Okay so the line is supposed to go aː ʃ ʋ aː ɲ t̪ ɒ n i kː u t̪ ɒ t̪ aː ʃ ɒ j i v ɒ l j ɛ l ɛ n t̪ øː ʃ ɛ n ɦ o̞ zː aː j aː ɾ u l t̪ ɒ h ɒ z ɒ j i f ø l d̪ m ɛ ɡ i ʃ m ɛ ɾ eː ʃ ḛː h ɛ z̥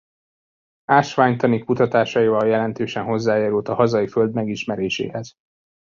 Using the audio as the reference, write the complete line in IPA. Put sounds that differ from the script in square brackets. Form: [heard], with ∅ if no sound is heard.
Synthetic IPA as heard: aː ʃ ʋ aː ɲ t̪ ɒ n i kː u t̪ ɒ t̪ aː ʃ ɒ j i v ɒ l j ɛ l ɛ n t̪ øː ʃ ɛ n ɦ o̞ zː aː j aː ɾ u l t̪ ɒ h ɒ z ɒ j i f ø l d̪ m ɛ ɡ i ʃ m ɛ ɾ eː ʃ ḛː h ɛ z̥